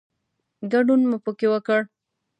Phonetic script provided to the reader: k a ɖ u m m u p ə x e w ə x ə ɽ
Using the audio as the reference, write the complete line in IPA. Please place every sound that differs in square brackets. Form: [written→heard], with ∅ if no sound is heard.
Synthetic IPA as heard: [k→ɡ] a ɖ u [m→n] m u p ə [x→k] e w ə [x→k] ə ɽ